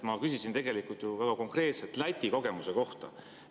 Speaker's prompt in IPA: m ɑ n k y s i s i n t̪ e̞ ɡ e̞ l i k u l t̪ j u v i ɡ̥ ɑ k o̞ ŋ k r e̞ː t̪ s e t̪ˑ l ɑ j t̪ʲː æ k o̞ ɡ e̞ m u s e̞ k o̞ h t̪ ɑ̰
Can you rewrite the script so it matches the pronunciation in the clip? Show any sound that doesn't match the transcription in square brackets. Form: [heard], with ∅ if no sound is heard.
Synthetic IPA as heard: m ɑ [∅] k y s i s i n t̪ e̞ ɡ e̞ l i k u l t̪ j u v [æ] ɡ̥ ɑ k o̞ ŋ k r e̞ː t̪ s e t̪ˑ l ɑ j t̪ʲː [i] k o̞ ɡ e̞ m u s e̞ k o̞ h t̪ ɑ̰